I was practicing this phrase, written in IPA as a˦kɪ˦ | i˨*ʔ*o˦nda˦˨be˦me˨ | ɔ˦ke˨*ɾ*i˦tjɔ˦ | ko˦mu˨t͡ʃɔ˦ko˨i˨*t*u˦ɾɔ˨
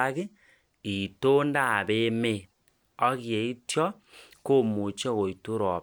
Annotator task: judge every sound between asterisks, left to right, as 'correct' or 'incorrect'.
incorrect, incorrect, correct

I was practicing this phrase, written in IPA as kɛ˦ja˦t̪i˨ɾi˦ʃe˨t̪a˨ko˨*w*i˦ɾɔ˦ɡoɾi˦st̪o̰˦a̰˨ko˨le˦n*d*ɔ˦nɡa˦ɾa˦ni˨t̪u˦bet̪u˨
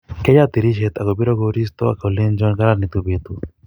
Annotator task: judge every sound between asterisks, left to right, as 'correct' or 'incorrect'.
incorrect, incorrect

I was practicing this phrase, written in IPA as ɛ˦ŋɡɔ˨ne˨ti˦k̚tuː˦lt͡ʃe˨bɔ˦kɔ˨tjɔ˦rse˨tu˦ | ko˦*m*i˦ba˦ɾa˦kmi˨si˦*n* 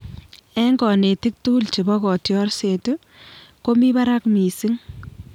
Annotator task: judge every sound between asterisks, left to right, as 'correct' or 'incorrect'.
correct, incorrect

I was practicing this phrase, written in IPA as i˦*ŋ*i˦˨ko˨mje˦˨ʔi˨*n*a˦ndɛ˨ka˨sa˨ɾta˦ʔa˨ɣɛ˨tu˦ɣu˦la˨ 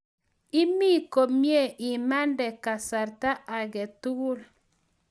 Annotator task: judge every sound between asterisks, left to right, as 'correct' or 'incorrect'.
incorrect, incorrect

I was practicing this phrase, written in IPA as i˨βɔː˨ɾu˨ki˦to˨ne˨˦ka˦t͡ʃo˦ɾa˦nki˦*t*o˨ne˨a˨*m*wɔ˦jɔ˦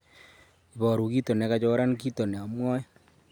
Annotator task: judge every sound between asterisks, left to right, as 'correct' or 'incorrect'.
correct, correct

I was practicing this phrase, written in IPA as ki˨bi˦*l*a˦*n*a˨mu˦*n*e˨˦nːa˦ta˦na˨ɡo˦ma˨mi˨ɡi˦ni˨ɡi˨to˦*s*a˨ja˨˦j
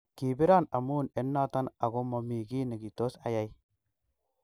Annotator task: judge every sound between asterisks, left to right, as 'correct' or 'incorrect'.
incorrect, correct, correct, correct

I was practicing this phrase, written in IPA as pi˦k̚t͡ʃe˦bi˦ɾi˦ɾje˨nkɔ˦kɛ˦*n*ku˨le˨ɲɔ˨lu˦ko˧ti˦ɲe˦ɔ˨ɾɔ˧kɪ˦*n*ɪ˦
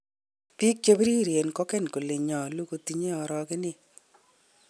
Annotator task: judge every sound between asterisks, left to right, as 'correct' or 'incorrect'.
correct, correct

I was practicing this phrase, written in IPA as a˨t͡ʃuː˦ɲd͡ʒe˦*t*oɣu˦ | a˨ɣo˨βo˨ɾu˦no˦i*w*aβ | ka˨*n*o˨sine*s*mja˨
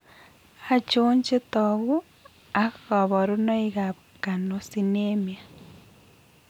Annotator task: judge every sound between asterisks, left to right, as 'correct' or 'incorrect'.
correct, incorrect, correct, incorrect

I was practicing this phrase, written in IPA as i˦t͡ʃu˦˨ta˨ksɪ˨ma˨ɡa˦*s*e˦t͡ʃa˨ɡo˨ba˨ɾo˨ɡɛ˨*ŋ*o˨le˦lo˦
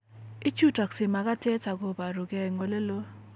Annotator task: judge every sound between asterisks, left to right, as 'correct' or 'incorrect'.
incorrect, correct

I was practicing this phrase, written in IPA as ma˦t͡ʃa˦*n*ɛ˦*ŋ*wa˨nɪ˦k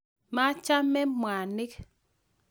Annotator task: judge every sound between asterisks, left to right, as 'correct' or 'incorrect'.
incorrect, incorrect

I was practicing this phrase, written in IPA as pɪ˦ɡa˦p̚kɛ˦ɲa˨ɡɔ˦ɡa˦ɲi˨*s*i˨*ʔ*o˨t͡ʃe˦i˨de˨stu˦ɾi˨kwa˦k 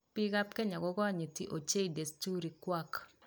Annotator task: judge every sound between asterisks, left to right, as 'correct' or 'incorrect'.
incorrect, correct

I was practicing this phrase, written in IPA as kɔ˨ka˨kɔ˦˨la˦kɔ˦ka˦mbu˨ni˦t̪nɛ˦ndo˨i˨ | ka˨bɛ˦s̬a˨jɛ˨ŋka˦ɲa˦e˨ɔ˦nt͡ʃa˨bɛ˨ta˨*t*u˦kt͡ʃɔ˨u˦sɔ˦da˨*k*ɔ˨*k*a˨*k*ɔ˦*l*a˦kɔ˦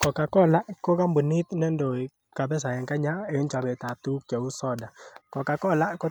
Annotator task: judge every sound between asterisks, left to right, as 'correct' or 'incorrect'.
correct, correct, correct, correct, correct

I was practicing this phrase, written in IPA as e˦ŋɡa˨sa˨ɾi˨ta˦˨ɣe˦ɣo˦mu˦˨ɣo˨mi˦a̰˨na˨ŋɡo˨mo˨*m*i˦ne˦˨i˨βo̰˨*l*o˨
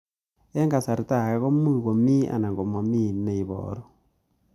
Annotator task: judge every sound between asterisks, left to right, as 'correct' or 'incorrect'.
correct, incorrect

